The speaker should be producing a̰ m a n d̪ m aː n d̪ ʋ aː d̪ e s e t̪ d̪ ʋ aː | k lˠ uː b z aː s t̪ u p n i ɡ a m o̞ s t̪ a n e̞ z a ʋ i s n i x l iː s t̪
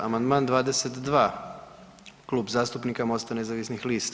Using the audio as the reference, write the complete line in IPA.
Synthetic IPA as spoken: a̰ m a n d̪ m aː n d̪ ʋ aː d̪ e s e t̪ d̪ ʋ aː | k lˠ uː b z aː s t̪ u p n i k a m o̞ s t̪ a n e̞ z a ʋ i s n i x l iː s t̪